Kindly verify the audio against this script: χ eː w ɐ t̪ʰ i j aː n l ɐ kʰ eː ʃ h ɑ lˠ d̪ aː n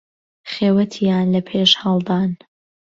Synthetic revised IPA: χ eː w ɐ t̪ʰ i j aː n l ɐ pʰ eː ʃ h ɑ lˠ d̪ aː n